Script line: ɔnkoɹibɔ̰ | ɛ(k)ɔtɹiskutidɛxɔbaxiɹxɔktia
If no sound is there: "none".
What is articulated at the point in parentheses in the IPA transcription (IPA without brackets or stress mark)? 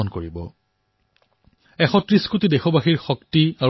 x